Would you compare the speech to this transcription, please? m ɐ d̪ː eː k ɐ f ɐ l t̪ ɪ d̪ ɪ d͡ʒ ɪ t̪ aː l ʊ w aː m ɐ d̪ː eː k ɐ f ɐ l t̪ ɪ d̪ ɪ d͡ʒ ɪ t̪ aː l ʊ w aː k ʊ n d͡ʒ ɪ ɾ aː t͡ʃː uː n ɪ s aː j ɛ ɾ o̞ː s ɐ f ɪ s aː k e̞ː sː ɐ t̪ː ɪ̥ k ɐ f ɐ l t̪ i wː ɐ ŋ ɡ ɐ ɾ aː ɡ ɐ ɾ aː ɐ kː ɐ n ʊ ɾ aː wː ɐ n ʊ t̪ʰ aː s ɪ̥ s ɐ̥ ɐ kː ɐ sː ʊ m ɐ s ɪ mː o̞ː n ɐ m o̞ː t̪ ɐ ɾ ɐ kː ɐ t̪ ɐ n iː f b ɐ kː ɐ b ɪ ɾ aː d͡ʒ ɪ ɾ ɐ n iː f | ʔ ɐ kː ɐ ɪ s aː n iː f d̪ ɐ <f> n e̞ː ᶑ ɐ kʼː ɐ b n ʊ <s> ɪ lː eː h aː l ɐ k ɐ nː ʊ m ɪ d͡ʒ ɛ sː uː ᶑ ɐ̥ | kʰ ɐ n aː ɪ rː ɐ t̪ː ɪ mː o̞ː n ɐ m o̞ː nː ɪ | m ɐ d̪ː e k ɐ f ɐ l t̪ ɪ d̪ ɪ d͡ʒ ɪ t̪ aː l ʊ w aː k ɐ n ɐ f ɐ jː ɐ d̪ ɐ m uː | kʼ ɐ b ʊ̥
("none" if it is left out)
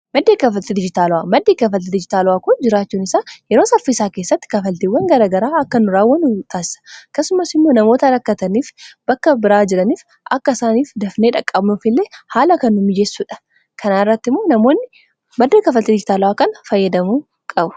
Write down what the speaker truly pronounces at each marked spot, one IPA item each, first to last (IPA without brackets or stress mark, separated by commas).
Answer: f, f